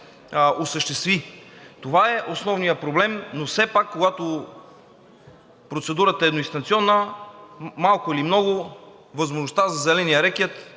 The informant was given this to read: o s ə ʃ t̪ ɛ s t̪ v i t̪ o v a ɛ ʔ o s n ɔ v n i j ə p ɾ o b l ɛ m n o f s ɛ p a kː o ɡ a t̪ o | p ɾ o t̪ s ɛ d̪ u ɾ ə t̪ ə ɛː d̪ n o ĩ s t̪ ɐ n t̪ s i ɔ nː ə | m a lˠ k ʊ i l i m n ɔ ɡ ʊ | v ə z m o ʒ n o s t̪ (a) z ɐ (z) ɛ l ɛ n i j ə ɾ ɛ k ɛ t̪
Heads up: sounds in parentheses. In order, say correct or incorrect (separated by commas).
correct, correct